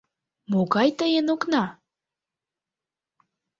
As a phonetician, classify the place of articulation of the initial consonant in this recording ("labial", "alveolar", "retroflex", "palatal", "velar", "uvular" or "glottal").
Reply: labial